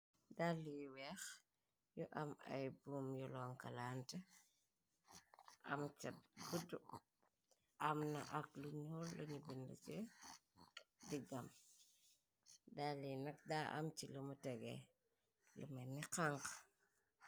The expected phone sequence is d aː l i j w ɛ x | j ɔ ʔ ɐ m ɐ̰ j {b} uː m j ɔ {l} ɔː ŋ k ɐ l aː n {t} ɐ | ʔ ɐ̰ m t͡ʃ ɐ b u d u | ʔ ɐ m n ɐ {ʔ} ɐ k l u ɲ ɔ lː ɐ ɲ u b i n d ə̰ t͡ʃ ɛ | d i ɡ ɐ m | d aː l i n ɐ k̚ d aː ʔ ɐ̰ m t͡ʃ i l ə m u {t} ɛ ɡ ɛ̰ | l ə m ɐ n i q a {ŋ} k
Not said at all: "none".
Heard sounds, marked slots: b, l, t, ʔ, t, ŋ

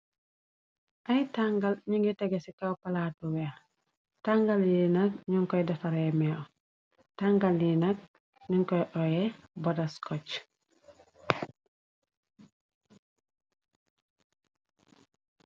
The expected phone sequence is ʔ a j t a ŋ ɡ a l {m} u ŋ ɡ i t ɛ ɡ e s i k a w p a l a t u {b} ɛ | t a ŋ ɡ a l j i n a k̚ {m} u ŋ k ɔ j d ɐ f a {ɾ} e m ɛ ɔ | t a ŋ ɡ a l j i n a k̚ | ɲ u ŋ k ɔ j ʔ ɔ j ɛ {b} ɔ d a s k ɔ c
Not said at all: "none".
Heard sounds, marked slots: ɲ, w, ɲ, ɾ, b

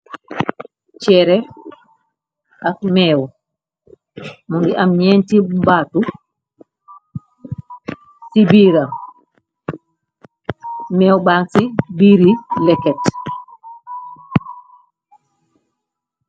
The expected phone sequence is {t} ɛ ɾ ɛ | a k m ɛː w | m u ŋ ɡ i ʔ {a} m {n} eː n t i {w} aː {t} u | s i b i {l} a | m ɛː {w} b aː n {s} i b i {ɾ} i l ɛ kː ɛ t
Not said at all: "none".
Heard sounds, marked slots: t͡ʃ, a, ɲ, b, t, ɾ, w, s, ɾ

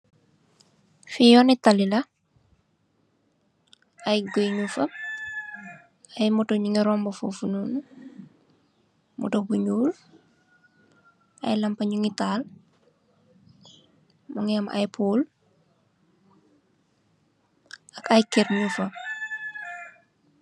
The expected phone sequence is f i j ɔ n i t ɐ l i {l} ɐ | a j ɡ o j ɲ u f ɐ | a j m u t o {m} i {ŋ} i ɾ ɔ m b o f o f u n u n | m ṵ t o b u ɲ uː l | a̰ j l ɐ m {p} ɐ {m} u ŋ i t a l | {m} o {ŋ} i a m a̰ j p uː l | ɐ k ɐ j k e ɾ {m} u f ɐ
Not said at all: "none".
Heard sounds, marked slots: l, ɲ, ŋ, p, ɲ, m, ŋ, ɲ

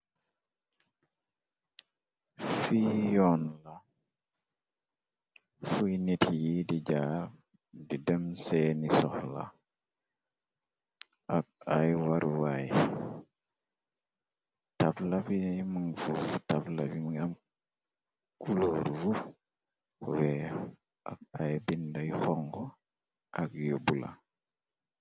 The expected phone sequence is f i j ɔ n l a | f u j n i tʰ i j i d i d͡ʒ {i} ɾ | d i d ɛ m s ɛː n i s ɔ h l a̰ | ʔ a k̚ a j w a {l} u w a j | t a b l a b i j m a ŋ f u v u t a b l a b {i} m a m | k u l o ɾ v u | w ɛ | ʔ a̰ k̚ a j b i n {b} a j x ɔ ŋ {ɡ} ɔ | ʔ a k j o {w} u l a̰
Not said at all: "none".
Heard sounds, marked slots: a, ɾ, i, d, ɡ, b

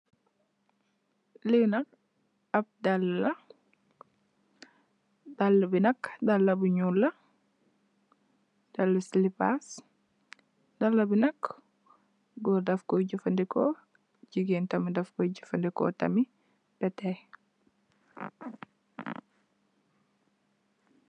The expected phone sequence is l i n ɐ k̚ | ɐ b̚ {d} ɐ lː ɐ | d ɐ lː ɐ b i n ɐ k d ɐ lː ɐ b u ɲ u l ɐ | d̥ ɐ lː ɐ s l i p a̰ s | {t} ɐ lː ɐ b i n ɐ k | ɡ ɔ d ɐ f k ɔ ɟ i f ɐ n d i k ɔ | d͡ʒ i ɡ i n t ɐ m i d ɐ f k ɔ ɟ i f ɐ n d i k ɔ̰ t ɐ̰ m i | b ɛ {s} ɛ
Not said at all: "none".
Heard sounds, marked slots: d, d, t

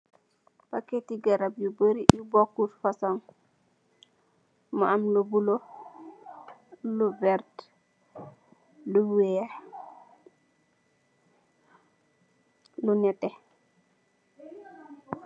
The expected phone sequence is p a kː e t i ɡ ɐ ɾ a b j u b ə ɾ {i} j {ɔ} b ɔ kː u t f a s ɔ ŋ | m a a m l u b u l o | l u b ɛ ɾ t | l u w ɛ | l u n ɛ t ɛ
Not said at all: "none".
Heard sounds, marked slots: i, u

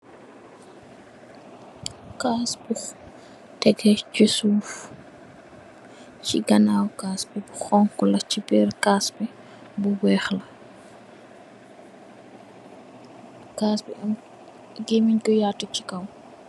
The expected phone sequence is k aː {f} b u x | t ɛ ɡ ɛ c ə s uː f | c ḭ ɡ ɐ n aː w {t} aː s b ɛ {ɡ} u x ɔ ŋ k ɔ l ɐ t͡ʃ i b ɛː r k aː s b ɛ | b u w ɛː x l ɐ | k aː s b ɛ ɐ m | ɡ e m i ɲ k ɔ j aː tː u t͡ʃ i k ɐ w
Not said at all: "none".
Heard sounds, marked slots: s, k, b

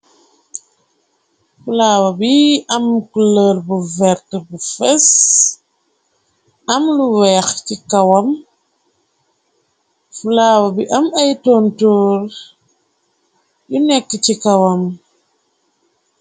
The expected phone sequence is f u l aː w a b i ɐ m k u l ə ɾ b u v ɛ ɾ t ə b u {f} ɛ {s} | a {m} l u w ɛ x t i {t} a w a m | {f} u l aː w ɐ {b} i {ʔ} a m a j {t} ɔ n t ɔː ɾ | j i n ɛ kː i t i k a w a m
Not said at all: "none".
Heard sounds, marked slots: f, s, m, k, f, b, ʔ, t

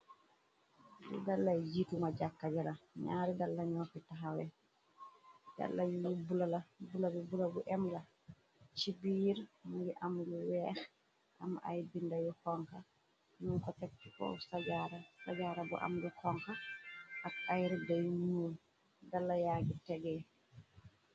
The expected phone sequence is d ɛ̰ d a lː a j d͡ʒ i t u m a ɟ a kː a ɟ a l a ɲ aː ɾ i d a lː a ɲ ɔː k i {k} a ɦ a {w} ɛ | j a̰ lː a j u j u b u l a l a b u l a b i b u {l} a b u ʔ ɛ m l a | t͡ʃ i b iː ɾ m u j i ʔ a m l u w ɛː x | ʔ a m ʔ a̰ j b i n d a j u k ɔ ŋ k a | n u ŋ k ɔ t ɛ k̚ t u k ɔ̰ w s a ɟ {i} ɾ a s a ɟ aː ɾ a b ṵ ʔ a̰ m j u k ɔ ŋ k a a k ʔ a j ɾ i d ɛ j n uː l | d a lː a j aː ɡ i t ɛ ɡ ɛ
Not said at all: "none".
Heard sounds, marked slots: t, w, l, a

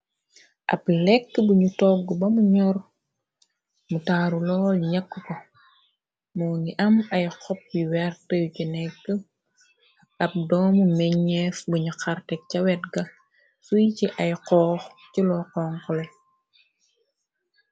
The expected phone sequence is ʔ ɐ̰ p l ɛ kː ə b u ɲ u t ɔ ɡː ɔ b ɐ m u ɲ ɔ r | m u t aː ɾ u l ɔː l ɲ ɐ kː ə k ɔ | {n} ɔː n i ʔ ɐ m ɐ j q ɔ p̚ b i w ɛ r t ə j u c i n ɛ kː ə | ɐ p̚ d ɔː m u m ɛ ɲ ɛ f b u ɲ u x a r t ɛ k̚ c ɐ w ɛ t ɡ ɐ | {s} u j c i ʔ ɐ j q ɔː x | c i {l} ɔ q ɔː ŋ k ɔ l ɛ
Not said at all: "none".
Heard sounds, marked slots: m, s, l

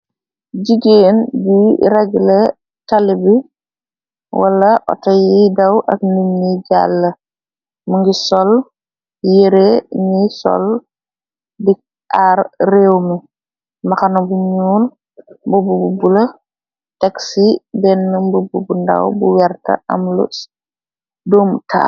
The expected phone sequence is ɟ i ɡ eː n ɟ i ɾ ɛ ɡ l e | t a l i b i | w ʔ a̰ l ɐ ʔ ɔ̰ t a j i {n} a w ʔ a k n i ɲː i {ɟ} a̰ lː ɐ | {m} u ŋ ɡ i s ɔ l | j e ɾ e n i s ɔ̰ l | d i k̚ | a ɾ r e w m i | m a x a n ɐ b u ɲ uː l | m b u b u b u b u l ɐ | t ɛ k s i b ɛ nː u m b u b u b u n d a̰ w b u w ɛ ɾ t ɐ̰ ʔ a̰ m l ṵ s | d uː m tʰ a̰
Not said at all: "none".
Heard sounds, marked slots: d, ɟ, m

